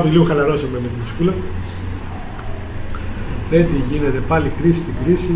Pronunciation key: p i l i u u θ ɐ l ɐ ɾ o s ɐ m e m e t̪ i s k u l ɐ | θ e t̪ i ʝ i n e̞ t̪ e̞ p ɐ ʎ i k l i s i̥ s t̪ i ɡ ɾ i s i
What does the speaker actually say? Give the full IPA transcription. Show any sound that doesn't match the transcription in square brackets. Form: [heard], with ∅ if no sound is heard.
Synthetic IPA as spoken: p i l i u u [x] ɐ l ɐ ɾ o s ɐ m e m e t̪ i s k u l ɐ | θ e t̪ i ʝ i n e̞ t̪ e̞ p ɐ [l] i k [ɾ] i s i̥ s t̪ i ɡ ɾ i s i